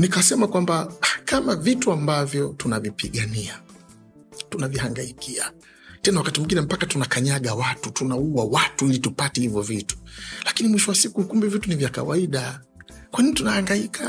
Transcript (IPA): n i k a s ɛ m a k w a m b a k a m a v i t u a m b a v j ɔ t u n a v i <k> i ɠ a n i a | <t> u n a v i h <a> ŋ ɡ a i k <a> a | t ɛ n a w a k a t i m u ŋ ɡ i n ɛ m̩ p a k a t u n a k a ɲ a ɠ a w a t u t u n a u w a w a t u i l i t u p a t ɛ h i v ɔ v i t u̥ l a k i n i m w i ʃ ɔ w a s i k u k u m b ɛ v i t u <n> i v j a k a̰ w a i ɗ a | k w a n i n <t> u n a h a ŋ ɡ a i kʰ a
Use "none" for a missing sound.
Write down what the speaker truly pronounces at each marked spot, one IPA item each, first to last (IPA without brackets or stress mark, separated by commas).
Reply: p, t, a, i, n, t